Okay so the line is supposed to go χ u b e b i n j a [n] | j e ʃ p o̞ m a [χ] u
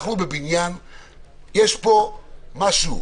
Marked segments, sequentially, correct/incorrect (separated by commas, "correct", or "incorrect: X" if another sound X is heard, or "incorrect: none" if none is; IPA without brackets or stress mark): correct, incorrect: ʃ